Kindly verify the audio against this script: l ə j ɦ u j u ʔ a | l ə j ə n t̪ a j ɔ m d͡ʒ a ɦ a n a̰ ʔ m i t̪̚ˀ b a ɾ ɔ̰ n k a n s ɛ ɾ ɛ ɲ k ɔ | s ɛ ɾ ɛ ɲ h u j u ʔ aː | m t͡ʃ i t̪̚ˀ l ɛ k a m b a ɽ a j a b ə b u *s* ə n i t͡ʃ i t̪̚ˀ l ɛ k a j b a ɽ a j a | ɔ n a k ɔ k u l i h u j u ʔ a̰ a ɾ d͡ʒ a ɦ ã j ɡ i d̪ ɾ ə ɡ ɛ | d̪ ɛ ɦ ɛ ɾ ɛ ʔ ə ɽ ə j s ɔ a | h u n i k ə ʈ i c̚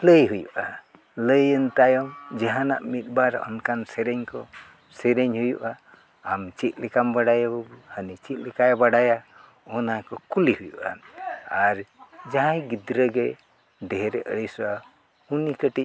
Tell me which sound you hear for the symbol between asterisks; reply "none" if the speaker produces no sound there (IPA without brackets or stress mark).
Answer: h